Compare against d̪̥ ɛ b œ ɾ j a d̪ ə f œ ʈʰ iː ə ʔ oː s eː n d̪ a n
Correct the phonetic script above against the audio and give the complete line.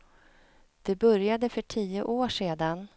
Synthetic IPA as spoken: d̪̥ ɛ b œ ɾ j a d̪ ə f œ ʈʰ iː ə ʔ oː ʂ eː d̪ a n